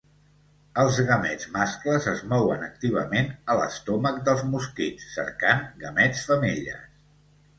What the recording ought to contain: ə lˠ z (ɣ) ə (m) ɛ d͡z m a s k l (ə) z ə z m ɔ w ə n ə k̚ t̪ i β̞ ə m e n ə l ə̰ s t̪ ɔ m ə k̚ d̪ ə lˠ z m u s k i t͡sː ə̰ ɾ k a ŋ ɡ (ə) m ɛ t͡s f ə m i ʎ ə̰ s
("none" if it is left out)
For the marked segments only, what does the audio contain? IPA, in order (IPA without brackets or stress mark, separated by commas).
ɣ, m, ə, ə